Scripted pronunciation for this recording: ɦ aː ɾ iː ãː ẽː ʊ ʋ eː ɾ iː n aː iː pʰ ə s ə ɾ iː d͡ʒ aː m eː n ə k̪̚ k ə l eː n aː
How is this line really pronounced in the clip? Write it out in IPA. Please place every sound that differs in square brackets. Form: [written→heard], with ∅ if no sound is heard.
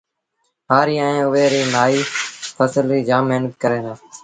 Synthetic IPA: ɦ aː ɾ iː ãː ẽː ʊ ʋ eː ɾ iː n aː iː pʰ ə s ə [ɾ→l] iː d͡ʒ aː m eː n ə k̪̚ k ə [l→ɾ] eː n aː